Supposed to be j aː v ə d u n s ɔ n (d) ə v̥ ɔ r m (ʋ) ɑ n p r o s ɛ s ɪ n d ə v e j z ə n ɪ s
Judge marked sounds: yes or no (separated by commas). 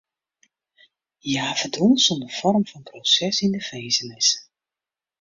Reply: yes, no